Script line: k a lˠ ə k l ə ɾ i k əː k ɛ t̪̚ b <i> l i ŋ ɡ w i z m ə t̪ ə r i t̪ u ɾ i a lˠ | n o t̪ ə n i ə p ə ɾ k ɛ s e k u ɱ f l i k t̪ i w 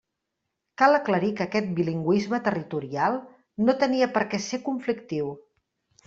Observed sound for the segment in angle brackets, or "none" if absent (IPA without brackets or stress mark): i